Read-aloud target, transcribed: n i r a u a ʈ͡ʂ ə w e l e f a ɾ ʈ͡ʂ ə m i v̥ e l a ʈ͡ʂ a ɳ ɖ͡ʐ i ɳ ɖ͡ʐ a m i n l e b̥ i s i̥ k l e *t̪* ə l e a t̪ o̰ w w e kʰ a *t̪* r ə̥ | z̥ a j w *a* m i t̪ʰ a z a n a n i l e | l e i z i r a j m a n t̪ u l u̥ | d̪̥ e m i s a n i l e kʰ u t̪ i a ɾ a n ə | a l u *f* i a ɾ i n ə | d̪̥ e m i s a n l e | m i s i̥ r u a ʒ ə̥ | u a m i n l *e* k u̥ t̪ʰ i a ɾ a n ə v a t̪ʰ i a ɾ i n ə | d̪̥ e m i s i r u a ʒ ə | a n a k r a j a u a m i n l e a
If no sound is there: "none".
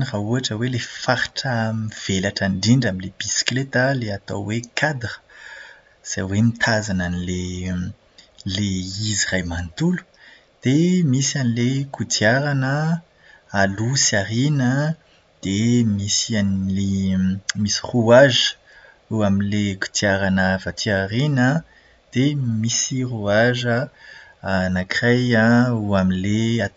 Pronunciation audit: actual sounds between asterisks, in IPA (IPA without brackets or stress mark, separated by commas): t̪, d̪, e, s, e